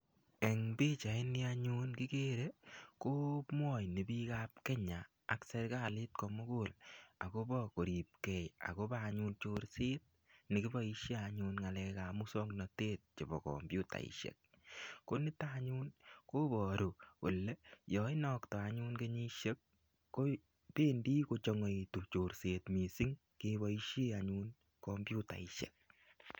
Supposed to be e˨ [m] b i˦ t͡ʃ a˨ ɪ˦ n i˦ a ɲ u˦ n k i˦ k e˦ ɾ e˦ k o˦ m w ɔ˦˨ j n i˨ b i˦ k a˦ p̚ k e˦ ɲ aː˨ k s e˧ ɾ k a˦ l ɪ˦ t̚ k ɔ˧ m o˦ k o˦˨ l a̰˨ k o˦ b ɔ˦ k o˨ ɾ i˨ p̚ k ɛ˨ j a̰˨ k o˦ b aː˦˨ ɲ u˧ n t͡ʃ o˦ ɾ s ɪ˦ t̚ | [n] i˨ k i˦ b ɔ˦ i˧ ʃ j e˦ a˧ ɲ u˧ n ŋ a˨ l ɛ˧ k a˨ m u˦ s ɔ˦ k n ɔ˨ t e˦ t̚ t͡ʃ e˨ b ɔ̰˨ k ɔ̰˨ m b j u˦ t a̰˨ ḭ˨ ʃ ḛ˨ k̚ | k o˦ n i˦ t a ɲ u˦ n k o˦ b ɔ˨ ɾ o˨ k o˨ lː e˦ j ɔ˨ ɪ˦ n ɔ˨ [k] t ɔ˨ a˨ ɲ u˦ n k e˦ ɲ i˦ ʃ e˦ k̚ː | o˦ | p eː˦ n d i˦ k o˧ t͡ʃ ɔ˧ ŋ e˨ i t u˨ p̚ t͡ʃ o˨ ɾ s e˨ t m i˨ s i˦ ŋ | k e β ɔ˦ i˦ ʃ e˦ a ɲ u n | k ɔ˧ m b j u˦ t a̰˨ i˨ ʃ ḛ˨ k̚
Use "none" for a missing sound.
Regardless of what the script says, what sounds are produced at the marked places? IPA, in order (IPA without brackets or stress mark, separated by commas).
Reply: ŋ, n, k